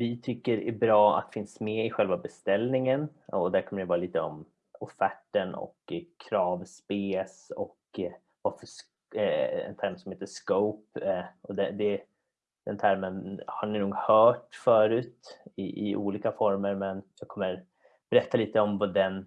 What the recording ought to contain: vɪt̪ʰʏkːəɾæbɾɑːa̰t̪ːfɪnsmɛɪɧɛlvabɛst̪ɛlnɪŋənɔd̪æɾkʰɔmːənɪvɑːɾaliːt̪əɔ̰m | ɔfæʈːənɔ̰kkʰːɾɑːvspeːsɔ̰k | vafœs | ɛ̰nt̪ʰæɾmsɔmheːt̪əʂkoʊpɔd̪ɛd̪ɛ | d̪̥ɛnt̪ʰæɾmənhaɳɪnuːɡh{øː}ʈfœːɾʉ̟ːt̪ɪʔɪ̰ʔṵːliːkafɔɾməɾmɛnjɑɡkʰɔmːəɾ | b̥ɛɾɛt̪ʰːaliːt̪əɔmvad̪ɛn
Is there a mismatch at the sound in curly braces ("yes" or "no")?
yes